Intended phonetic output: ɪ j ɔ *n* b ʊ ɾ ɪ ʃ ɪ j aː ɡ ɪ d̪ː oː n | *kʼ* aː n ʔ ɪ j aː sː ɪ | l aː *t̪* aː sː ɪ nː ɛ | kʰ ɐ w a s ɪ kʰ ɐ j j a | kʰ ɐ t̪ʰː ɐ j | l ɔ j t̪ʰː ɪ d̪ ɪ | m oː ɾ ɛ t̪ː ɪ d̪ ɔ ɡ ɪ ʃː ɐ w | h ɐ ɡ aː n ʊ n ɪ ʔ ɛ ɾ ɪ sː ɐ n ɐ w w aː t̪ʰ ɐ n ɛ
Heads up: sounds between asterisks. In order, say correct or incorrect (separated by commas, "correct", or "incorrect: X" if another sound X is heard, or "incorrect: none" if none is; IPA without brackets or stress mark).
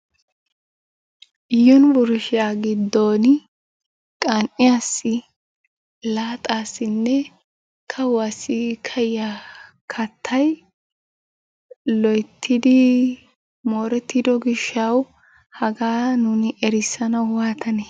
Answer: correct, correct, incorrect: t̪ʼ